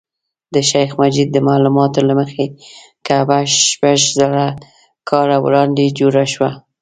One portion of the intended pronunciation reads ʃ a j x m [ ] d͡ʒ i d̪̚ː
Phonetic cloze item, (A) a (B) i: A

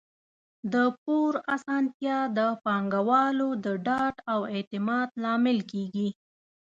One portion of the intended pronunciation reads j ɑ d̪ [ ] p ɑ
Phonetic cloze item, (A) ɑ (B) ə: B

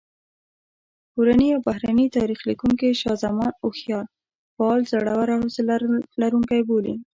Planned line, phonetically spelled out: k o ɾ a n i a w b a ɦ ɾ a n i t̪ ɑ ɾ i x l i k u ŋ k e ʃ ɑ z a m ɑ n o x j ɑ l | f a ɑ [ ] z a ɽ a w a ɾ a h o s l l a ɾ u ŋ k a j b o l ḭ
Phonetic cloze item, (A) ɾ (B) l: B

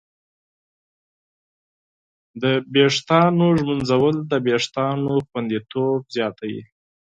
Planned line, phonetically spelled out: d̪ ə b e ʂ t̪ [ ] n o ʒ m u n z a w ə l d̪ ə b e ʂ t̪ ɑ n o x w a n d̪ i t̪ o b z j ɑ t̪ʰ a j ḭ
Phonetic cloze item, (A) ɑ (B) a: A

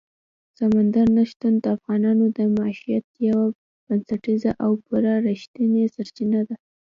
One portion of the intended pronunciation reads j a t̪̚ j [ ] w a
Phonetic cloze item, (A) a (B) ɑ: A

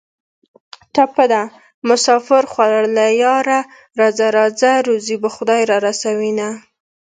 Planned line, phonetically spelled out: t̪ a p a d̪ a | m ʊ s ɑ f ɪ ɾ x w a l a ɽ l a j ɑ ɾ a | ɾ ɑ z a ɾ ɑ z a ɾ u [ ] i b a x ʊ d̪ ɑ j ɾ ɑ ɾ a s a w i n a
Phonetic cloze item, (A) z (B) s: A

